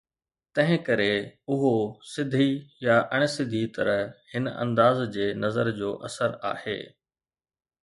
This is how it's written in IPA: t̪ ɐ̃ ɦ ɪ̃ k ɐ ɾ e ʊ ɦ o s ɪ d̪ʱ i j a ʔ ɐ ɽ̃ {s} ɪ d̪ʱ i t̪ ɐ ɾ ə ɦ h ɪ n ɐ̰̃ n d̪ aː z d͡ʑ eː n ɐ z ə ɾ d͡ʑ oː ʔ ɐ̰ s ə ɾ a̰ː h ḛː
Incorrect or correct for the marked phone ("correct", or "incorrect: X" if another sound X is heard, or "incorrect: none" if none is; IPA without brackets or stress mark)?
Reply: correct